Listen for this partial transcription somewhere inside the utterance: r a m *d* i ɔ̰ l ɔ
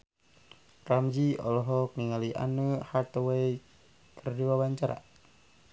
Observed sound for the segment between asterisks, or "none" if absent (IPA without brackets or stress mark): d͡ʒ